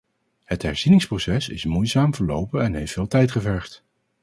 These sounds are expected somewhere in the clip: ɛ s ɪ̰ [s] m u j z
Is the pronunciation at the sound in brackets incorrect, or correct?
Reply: correct